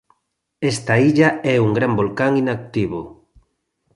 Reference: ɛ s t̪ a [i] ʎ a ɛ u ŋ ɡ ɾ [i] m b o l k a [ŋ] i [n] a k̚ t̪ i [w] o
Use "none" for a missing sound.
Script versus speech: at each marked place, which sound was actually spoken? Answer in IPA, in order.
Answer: i, a, ŋ, n, β

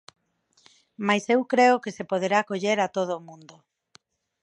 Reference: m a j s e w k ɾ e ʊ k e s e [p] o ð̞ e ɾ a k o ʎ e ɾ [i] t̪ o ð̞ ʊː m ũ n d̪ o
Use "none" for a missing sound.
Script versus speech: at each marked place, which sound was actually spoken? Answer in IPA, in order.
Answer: p, a

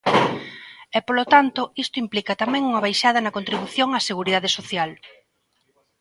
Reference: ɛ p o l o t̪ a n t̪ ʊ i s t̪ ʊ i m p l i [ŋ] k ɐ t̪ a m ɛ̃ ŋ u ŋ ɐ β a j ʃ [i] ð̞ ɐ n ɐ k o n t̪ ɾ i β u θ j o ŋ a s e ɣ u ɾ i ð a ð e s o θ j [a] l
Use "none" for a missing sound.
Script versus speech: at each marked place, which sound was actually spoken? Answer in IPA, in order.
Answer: none, a, a

